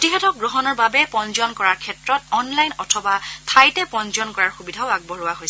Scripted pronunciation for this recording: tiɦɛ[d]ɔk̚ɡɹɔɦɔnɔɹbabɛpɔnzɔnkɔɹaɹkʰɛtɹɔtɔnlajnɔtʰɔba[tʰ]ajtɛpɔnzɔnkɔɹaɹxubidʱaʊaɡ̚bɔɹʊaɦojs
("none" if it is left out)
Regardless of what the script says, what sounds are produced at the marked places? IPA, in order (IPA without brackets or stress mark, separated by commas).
t, tʰ